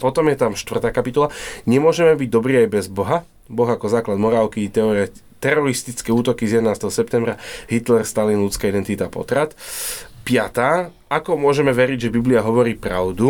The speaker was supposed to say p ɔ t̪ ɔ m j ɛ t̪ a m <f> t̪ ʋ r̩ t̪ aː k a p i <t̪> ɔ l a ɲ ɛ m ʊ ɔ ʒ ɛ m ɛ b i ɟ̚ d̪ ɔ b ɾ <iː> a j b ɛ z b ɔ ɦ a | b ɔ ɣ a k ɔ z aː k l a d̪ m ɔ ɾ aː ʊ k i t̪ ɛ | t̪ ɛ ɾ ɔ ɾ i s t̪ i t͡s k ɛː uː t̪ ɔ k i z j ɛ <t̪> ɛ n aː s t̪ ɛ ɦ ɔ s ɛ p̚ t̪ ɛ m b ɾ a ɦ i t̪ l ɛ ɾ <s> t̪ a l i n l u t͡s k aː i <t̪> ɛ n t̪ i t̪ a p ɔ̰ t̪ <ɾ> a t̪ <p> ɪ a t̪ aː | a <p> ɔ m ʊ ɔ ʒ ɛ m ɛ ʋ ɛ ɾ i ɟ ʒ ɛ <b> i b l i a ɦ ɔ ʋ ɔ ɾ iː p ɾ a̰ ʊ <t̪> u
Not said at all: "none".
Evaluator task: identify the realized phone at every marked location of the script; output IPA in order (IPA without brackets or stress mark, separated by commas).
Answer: ʃ, t̪, iː, d̪, s, d̪, ɾ, p, k, b, d̪